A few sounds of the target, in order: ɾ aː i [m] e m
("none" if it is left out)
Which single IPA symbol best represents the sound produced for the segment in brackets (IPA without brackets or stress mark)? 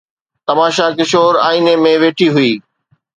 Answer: n